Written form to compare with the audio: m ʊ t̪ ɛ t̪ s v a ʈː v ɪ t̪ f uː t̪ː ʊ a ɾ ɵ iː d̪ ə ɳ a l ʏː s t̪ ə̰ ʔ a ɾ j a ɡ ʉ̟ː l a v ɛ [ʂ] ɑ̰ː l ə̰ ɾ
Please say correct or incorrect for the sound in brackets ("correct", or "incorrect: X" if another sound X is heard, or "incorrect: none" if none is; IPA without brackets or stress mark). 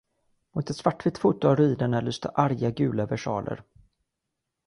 correct